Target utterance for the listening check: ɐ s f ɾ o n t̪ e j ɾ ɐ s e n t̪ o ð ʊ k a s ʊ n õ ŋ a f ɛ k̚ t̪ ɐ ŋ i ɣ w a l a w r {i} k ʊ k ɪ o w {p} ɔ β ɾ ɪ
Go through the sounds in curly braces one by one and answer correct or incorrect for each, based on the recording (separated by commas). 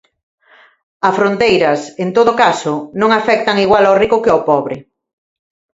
correct, correct